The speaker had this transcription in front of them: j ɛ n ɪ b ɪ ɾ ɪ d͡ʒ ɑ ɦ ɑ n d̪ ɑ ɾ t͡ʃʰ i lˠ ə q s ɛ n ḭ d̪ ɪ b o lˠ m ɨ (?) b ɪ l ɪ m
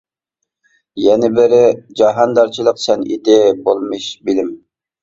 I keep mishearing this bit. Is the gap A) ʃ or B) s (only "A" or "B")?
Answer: A